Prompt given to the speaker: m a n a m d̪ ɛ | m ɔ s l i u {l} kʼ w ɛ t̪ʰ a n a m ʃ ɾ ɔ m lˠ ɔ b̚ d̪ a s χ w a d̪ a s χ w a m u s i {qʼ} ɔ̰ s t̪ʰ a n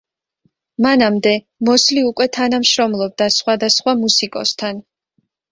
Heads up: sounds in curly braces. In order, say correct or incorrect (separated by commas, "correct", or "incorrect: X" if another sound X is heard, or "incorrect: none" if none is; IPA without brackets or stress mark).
incorrect: none, incorrect: kʼ